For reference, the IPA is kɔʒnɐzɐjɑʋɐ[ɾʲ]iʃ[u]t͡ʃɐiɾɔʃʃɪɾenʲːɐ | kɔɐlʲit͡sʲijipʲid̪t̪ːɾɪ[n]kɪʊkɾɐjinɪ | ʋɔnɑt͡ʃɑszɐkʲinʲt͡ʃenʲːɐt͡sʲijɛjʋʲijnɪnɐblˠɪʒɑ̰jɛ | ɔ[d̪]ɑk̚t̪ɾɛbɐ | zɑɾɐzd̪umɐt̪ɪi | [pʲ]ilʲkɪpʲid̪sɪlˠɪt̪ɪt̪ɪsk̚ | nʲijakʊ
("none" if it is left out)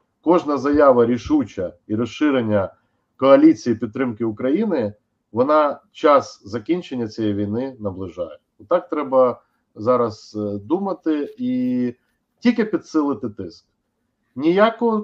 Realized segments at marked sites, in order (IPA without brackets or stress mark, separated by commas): ɾʲ, u, m, t̪, tʲ